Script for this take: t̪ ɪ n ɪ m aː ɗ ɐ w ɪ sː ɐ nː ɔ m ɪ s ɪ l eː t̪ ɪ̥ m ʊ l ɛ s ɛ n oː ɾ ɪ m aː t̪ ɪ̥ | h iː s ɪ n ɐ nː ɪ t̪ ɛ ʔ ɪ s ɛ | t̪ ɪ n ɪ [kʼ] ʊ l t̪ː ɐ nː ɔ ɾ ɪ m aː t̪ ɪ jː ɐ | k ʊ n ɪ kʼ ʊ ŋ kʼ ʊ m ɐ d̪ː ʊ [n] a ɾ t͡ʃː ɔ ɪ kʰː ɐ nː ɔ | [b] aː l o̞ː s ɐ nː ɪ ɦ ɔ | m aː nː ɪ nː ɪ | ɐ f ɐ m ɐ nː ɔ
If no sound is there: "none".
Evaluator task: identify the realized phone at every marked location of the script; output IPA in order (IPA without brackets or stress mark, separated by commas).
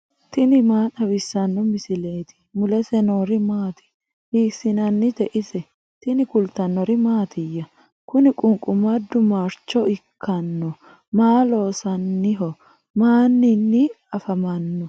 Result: k, m, m